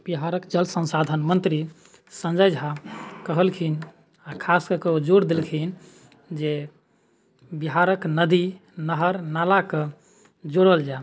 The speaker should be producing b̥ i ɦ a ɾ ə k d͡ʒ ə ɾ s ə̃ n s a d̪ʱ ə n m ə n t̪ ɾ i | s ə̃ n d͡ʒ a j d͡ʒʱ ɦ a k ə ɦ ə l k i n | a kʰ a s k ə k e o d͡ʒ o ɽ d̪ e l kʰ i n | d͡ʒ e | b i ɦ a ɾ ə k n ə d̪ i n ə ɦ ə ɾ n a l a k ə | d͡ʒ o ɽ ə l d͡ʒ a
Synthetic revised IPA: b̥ i ɦ a ɾ ə k d͡ʒ ə l s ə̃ n s a d̪ʱ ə n m ə n t̪ ɾ i | s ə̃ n d͡ʒ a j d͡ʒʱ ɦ a k ə ɦ ə l kʰ i n | a kʰ a s k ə k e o d͡ʒ o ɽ d̪ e l kʰ i n | d͡ʒ e | b i ɦ a ɾ ə k n ə d̪ i n ə ɦ ə ɾ n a l a k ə | d͡ʒ o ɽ ə l d͡ʒ a